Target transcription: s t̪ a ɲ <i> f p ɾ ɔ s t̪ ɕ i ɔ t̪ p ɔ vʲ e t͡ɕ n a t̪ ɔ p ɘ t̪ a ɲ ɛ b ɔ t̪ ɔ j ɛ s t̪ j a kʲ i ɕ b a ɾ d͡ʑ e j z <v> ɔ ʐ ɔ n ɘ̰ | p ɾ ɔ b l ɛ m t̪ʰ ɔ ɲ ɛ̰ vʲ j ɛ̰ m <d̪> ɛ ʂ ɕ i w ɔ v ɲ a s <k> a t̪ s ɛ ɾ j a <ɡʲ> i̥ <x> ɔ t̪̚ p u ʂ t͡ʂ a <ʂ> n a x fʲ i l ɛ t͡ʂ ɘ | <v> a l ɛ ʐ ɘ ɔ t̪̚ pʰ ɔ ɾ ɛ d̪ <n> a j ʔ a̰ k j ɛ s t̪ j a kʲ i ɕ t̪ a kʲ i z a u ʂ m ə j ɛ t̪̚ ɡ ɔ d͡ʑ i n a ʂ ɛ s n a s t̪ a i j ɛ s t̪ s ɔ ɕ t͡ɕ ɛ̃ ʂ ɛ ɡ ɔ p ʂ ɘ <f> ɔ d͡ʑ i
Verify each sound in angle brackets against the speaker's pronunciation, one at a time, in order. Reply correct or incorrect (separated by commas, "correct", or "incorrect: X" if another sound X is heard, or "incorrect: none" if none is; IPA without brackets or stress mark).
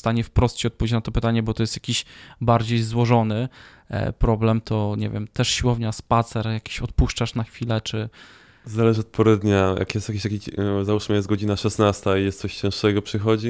incorrect: ɛ, incorrect: w, incorrect: t̪, incorrect: p, incorrect: kʲ, incorrect: ɕ, correct, incorrect: z, incorrect: ɲ, incorrect: x